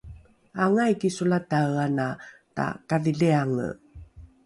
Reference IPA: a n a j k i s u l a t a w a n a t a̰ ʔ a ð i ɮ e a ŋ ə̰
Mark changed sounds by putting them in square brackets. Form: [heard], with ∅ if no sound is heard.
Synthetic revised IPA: a [ŋ] a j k i s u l a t a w a n a t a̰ [k] a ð i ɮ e a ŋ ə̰